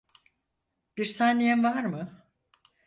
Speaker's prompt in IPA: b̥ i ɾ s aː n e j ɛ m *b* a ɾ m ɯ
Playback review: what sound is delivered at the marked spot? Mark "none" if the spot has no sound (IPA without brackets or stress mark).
v